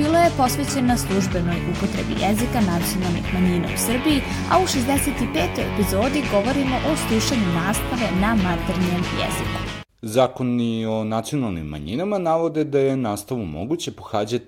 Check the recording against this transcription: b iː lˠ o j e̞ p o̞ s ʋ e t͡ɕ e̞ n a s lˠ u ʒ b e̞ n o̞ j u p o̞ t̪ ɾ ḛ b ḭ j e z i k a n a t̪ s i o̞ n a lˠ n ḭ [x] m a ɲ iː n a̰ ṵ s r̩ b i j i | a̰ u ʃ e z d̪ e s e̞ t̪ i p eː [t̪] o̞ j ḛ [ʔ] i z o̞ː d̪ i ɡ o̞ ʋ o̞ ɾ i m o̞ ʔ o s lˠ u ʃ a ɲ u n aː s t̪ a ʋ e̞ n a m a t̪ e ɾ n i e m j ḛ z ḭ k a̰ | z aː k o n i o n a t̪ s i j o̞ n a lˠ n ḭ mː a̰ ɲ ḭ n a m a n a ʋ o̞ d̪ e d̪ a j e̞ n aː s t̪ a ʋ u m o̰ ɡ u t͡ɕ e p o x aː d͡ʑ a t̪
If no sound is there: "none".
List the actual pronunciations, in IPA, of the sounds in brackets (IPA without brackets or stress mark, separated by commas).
x, t̪, p